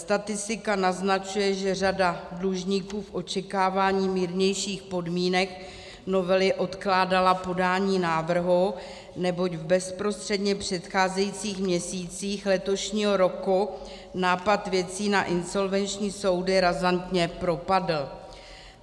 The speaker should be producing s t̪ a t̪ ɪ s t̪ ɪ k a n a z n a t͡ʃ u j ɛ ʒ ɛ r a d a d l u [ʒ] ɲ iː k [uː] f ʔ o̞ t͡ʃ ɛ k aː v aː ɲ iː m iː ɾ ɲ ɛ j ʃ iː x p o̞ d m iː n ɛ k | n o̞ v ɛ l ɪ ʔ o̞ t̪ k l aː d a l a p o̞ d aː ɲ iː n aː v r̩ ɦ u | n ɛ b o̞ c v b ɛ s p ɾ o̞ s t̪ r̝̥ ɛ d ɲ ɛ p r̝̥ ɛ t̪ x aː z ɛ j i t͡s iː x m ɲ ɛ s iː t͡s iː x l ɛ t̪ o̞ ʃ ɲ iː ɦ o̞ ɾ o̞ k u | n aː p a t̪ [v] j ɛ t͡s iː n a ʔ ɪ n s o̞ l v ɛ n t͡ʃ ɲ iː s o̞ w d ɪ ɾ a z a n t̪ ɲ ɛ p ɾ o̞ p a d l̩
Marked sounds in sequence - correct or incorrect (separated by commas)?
correct, correct, correct